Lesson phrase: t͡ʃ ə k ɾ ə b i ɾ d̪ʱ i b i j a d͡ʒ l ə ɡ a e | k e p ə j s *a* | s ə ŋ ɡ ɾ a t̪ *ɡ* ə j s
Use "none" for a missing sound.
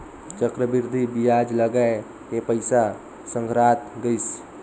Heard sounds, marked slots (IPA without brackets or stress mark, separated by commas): a, ɡ